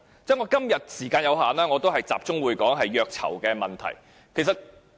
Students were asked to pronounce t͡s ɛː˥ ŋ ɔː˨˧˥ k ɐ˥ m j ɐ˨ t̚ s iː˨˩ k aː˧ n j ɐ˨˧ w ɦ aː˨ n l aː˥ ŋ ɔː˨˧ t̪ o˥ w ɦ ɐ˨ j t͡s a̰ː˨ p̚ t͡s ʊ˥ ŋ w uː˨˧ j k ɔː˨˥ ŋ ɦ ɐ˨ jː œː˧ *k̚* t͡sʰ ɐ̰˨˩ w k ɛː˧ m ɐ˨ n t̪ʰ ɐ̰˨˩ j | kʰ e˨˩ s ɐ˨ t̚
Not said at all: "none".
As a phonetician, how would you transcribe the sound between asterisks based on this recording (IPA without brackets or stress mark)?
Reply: k̚